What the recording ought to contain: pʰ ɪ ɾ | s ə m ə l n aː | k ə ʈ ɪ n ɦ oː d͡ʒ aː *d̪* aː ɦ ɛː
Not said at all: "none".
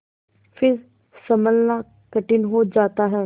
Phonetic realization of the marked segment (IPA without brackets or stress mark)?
t̪